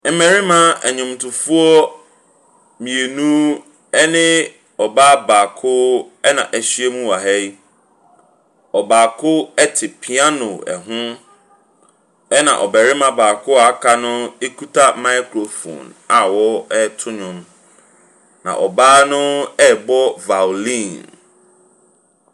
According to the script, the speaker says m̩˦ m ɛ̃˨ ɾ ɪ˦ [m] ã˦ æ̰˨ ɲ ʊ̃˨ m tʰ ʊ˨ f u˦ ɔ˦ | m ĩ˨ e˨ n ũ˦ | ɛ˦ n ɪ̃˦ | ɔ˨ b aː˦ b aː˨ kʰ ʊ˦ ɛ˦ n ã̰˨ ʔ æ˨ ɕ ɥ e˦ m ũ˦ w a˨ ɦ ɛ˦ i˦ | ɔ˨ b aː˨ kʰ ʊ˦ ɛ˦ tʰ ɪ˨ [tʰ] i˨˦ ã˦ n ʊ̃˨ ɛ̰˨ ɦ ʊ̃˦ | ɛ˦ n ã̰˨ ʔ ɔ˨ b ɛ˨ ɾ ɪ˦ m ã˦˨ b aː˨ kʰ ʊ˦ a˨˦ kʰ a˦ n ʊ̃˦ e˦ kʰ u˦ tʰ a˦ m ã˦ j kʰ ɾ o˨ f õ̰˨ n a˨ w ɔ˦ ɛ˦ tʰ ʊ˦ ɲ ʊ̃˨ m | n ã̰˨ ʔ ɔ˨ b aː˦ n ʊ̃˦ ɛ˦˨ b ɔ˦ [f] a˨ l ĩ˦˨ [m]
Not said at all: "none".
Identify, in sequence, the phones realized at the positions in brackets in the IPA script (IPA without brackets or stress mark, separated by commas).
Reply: m, pʰ, v, n